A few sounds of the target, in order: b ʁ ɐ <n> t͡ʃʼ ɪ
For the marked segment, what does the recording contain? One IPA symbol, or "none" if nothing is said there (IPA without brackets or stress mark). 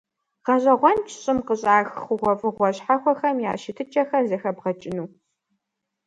none